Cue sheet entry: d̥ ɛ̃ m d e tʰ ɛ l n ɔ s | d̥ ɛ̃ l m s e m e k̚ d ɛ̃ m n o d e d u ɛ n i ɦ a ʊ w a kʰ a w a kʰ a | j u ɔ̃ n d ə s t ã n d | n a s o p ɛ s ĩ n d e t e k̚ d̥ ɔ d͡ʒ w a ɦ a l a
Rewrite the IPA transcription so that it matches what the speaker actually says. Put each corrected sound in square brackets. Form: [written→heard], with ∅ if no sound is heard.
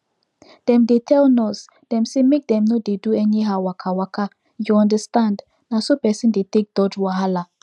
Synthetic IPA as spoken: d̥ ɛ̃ m d e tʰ ɛ l n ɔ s | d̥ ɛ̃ [l→∅] m s e m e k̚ d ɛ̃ m n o d e d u ɛ n i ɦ a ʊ w a kʰ a w a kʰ a | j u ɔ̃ n d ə s t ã n d | n a s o p ɛ s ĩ n d e t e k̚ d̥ ɔ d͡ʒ w a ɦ a l a